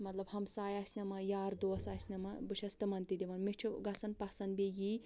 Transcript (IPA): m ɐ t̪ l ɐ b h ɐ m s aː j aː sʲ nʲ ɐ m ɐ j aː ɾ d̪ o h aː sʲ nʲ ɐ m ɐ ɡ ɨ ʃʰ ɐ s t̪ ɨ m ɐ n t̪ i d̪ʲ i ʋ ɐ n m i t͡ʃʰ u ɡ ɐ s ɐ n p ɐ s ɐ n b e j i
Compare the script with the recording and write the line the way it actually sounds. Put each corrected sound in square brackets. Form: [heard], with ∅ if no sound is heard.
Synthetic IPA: m ɐ t̪ l ɐ b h ɐ m s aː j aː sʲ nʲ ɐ m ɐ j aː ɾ d̪ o [s] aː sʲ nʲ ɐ m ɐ [b] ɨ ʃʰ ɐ s t̪ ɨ m ɐ n t̪ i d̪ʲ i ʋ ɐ n m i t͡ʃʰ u ɡ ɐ s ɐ n p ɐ s ɐ n b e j i